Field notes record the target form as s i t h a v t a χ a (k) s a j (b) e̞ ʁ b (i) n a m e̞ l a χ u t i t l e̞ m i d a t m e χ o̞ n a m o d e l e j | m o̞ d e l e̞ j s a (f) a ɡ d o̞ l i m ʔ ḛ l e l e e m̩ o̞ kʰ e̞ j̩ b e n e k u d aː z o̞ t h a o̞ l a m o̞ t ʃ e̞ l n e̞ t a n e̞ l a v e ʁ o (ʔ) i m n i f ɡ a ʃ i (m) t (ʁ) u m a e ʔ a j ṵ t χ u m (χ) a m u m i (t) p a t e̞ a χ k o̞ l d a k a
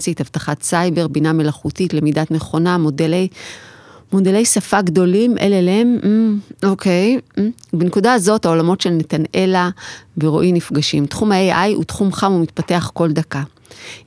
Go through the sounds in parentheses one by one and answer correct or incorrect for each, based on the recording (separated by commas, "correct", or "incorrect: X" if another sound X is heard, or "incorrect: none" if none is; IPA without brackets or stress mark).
incorrect: t, correct, correct, correct, correct, correct, incorrect: χ, correct, correct